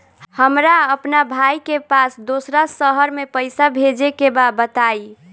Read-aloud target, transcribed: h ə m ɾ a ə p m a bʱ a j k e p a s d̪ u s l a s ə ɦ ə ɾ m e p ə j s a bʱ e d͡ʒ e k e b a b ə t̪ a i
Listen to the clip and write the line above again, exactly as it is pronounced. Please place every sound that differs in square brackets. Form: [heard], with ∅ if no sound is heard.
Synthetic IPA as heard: h ə m ɾ a ə p [n] a bʱ a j k e p a s d̪ [o] s [ɾ] a s ə ɦ ə ɾ m e p ə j s a bʱ e d͡ʒ e k e b a b ə t̪ a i